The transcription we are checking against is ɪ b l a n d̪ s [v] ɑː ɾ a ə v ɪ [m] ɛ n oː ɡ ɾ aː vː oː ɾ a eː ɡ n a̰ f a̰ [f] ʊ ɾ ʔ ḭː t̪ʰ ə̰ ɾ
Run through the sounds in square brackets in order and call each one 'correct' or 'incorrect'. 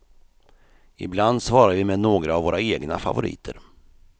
correct, correct, incorrect: v

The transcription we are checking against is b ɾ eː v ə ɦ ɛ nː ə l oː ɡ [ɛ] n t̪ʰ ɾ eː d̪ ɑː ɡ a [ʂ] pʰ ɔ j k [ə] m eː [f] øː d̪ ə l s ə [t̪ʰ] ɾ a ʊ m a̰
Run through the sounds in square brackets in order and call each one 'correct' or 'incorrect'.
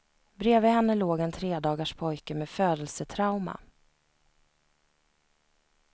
correct, correct, correct, correct, correct

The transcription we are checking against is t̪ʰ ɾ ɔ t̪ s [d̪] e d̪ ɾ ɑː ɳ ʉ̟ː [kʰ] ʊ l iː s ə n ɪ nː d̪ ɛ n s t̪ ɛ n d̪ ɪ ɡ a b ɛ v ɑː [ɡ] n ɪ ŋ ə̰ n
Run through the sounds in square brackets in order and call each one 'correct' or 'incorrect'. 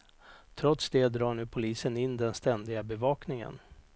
correct, incorrect: pʰ, incorrect: k

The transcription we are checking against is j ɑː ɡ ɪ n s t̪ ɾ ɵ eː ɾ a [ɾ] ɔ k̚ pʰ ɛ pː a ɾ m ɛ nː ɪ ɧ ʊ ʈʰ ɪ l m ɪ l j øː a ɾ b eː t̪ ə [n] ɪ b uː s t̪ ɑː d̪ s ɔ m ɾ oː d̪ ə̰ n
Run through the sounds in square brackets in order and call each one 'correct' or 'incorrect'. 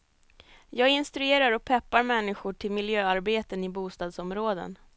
correct, correct

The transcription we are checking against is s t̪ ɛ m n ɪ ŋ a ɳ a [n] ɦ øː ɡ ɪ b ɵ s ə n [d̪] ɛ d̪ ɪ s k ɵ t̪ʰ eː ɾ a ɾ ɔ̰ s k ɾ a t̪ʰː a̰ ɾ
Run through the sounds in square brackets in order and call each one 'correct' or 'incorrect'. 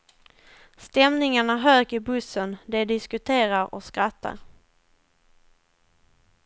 incorrect: none, correct

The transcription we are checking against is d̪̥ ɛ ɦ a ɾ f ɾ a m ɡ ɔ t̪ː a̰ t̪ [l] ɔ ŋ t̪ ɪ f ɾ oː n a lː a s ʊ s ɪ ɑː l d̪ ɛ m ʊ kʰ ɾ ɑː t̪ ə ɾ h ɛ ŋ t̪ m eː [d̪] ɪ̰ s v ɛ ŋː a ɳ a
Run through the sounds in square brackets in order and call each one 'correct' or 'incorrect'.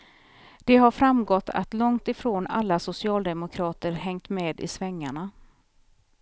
correct, correct

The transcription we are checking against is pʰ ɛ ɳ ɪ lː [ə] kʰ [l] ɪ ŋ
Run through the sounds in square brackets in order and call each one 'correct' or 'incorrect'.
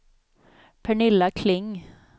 incorrect: a, correct

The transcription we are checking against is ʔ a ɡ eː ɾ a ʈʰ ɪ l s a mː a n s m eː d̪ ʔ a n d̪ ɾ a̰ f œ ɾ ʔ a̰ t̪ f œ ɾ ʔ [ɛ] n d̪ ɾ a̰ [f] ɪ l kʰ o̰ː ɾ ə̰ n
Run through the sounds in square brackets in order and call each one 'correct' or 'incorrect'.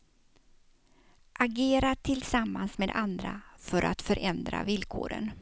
correct, incorrect: v

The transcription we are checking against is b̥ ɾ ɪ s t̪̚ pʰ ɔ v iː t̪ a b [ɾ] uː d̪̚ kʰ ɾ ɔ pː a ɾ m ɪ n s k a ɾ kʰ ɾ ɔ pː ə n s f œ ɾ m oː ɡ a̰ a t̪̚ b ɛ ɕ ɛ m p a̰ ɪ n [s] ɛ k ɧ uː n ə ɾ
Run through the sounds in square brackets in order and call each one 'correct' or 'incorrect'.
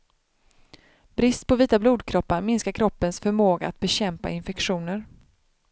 incorrect: l, incorrect: f

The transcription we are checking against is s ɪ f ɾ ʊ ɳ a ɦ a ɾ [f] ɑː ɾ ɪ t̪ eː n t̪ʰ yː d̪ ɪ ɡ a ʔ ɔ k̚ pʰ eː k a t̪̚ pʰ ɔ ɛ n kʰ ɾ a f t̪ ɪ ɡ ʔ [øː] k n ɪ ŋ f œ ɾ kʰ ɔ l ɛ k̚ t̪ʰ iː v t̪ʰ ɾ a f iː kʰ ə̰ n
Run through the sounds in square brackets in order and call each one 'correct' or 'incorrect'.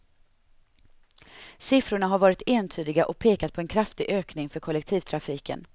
incorrect: v, correct

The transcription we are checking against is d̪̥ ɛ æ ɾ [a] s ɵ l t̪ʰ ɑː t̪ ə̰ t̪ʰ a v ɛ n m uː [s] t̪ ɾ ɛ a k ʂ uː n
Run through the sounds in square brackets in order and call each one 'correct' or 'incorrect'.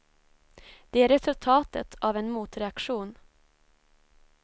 incorrect: ɛ, incorrect: none

